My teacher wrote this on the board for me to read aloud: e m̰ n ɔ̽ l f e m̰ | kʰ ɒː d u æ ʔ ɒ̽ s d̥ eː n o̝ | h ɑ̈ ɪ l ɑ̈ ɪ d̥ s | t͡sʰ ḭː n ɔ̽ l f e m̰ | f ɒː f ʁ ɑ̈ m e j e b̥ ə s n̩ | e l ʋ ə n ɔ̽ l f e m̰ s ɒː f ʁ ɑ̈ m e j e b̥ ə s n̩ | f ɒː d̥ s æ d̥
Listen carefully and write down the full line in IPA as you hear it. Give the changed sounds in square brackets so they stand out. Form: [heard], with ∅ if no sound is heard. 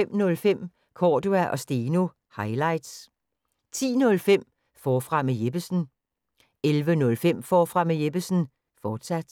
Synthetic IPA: e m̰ n ɔ̽ l f e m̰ | kʰ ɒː d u æ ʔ ɒ̽ s d̥ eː n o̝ | h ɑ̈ ɪ l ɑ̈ ɪ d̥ s | t͡sʰ ḭː n ɔ̽ l f e m̰ | f ɒː f ʁ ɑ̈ m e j e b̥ ə s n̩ | e l ʋ ə n ɔ̽ l f e m̰ [f] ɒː f ʁ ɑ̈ m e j e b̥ ə s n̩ | f ɒː d̥ s æ d̥